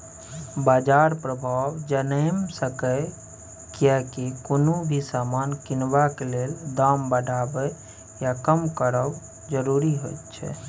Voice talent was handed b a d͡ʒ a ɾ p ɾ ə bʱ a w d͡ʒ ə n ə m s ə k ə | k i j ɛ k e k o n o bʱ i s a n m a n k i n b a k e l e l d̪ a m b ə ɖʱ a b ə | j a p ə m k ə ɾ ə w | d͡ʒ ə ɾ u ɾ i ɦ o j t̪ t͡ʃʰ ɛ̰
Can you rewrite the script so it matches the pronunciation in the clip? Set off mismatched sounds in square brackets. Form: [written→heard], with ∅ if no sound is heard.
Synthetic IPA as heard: b a d͡ʒ a ɾ p ɾ ə bʱ a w d͡ʒ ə n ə m s ə k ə | k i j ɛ k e k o n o bʱ i s a [n→∅] m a n k i n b a k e l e l d̪ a m b ə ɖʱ a b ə | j a [p→k] ə m k ə ɾ ə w | d͡ʒ ə ɾ u ɾ i ɦ o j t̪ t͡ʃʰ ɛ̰